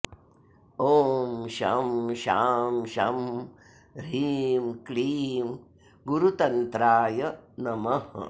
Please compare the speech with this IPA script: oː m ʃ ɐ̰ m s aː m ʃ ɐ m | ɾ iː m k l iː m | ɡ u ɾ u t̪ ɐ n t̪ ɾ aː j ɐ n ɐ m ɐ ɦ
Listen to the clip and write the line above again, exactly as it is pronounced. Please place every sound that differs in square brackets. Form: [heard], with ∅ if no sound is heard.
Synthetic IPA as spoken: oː m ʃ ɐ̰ m [ʃ] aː m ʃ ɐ m | ɾ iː m k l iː m | ɡ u ɾ u t̪ ɐ n t̪ ɾ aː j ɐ n ɐ m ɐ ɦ